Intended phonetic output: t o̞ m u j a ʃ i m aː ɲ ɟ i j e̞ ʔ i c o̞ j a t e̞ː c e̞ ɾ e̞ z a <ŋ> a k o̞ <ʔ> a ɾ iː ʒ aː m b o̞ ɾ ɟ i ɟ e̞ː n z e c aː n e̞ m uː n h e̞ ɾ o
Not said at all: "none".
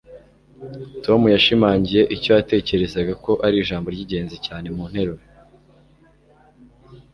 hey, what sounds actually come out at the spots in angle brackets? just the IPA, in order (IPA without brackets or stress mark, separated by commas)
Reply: ɡ, ʔ